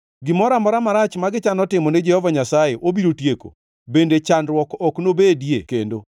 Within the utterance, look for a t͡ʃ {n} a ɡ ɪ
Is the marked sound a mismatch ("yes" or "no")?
yes